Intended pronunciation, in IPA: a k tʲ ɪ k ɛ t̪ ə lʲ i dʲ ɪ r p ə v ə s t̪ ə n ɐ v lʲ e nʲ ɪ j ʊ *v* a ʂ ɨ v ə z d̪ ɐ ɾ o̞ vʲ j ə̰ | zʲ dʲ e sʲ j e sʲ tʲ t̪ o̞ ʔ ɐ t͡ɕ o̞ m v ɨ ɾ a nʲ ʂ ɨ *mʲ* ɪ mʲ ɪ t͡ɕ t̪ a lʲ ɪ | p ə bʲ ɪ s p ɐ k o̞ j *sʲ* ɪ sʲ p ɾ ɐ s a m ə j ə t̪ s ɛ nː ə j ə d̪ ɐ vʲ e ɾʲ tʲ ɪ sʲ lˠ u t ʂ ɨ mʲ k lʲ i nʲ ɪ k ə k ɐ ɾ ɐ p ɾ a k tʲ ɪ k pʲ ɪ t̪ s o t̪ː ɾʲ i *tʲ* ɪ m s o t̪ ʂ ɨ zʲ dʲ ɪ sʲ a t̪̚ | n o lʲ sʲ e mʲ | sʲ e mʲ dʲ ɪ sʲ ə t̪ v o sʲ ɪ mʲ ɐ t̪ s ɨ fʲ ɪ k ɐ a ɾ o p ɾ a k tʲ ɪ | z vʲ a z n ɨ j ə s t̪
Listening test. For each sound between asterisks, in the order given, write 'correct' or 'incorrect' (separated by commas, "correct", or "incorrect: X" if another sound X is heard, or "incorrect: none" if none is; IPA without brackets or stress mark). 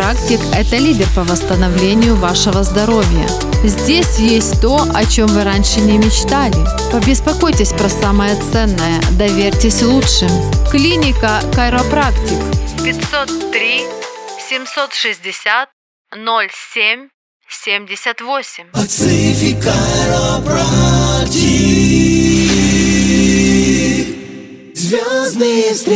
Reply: correct, incorrect: nʲ, incorrect: tʲ, incorrect: sʲ